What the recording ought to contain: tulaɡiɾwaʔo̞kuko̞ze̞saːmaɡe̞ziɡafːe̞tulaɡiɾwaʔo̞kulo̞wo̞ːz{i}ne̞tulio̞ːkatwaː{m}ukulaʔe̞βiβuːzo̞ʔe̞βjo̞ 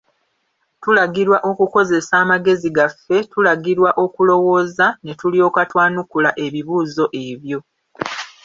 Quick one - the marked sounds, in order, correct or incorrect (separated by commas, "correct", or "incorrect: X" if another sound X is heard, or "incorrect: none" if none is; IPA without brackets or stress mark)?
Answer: incorrect: a, incorrect: n